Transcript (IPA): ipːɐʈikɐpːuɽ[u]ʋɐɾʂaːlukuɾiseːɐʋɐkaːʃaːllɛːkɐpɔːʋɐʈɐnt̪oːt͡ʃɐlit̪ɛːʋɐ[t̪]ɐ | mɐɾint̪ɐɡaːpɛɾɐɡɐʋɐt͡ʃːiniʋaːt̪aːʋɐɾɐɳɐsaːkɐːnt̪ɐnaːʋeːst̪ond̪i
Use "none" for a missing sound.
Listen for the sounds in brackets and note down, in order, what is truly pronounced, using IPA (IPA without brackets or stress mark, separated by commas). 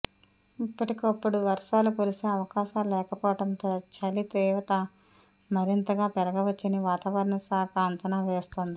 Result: u, t̪